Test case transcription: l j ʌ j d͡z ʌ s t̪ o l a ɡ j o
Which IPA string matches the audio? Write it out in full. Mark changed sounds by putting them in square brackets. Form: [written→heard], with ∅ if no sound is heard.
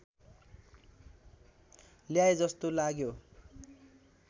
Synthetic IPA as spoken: l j [ʌ→a] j d͡z ʌ s t̪ o l a ɡ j o

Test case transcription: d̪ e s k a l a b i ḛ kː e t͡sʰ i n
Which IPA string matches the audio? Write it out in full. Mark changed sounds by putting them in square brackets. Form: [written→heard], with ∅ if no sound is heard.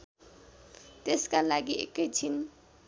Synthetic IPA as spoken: [d̪→t̪] e s k a l a [b→ɡ] i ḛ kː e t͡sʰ i n

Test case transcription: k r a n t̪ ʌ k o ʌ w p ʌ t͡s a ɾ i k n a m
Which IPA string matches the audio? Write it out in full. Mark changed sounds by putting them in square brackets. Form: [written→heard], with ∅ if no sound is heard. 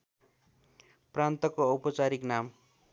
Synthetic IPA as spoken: [k→p] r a n t̪ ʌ k o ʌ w p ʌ t͡s a ɾ i k n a m

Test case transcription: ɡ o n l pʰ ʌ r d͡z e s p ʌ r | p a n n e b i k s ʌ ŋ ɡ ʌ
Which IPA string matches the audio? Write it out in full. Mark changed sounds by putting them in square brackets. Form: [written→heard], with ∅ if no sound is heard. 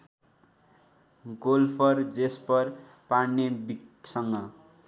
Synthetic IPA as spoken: ɡ o [n→∅] l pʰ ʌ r d͡z e s p ʌ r | p a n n e b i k s ʌ ŋ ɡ ʌ

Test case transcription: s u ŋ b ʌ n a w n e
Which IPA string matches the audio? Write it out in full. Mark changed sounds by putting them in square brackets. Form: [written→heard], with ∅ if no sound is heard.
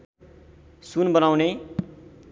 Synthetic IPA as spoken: s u [ŋ→n] b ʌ n a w n e

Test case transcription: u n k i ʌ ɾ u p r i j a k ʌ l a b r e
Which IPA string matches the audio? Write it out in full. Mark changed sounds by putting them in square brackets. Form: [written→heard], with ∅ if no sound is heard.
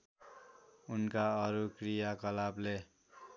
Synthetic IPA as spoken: u n k [i→a] ʌ ɾ u [p→k] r i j a k ʌ l a b [r→l] e

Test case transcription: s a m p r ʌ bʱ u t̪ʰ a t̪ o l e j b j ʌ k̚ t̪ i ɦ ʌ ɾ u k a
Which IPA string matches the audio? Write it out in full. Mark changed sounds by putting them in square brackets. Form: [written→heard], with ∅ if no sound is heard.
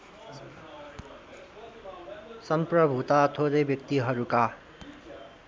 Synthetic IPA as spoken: s [a→ʌ] m p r ʌ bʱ u [t̪ʰ→t̪] a [t̪→t̪ʰ] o [l→ɾ] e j b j ʌ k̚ t̪ i ɦ ʌ ɾ u k a

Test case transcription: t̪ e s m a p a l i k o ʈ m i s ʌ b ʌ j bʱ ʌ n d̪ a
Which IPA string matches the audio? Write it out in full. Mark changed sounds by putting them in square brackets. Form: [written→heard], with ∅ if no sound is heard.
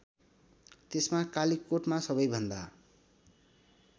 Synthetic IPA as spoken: t̪ e s m a [p→k] a l i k o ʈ m [i→a] s ʌ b ʌ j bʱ ʌ n d̪ a

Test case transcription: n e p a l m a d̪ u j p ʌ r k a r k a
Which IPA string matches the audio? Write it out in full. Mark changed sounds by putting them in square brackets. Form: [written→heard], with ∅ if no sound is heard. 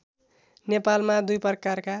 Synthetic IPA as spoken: n e p a l m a d̪ u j p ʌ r k a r k a

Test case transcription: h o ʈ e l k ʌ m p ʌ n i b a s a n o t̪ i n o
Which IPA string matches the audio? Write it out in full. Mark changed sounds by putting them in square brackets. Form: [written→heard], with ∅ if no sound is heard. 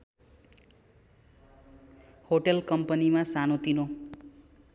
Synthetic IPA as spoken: h o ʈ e l k ʌ m p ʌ n i [b→m] a s a n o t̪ i n o

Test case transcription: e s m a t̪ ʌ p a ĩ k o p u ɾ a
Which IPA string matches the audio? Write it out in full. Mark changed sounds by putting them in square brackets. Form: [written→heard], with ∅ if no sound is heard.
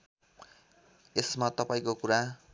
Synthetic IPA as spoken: e s m a t̪ ʌ p a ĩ k o [p→k] u ɾ a

